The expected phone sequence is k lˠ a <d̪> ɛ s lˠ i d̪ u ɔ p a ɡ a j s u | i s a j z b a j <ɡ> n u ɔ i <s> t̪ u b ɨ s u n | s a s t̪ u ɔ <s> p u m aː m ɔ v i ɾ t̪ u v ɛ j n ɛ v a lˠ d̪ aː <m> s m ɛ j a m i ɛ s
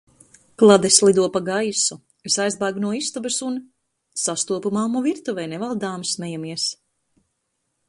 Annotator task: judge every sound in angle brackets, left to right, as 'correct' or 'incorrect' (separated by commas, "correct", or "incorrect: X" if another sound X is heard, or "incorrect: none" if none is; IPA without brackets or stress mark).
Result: correct, correct, correct, incorrect: none, correct